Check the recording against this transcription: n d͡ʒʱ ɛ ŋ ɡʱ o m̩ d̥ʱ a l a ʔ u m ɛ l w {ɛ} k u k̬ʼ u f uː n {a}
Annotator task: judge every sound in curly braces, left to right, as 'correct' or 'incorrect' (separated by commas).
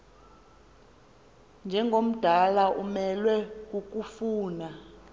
correct, correct